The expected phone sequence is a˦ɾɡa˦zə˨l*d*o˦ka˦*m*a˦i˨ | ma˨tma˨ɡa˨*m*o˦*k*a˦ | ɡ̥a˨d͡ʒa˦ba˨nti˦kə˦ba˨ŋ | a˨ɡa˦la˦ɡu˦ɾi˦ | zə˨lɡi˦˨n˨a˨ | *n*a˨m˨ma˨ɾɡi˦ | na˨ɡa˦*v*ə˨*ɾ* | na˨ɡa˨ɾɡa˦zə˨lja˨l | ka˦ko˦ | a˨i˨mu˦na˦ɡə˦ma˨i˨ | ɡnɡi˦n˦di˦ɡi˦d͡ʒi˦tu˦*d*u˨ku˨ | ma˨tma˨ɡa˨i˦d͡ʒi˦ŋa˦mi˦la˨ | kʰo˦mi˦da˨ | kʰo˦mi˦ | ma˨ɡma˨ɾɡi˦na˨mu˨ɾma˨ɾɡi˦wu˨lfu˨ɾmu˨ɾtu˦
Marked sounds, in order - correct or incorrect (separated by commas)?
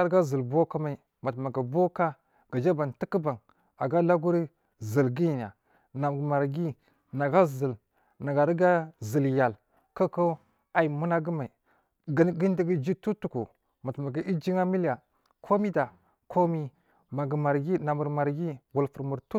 incorrect, correct, incorrect, correct, correct, incorrect, incorrect, incorrect